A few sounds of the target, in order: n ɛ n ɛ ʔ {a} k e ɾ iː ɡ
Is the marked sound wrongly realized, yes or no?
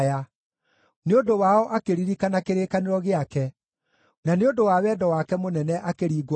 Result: no